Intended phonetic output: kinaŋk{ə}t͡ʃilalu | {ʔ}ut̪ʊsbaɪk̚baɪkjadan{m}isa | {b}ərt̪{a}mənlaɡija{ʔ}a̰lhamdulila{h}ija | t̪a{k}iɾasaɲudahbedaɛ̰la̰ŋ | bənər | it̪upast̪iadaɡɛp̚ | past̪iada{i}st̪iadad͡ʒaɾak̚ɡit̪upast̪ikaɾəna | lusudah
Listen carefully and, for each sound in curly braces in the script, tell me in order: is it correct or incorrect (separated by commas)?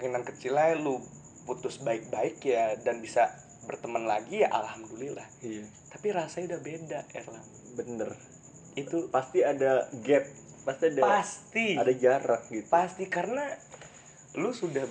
correct, incorrect, incorrect, correct, incorrect, correct, correct, incorrect, incorrect